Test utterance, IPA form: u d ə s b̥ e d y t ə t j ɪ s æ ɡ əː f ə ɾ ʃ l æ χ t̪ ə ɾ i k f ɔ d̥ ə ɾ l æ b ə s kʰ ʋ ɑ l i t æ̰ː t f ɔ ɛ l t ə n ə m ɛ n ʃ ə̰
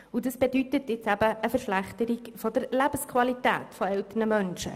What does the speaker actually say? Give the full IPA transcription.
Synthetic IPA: u d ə s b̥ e d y t ə t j ɪ t͡s æ b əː f ə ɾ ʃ l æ χ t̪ ə ɾ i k f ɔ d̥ ə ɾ l æ b ə s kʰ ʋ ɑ l i t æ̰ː t f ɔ ɛ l t ə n ə m œ n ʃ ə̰